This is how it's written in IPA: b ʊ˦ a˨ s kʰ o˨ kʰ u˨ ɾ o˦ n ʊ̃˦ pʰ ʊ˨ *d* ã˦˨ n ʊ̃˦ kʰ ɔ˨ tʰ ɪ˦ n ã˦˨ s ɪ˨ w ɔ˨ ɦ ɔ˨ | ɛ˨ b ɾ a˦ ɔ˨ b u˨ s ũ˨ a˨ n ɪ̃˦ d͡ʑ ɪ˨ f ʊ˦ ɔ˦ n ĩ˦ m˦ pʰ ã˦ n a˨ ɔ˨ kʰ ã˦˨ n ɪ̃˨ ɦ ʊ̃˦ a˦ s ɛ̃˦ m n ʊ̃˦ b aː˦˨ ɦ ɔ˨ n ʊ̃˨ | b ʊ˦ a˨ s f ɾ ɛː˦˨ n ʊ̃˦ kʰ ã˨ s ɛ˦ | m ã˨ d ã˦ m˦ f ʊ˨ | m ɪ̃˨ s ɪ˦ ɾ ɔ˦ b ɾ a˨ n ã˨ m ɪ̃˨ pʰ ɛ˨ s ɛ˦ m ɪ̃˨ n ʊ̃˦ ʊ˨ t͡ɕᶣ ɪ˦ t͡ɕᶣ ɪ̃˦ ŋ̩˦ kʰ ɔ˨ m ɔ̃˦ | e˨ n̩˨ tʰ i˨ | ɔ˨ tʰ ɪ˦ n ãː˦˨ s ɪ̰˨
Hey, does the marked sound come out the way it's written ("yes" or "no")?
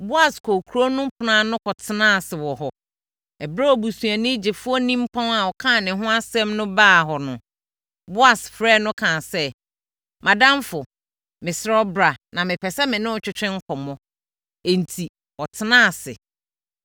no